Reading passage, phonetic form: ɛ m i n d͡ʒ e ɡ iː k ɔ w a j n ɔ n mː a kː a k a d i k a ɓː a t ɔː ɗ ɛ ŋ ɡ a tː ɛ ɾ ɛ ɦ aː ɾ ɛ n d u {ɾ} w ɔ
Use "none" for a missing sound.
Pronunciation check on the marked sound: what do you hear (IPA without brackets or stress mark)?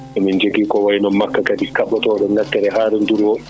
ɾ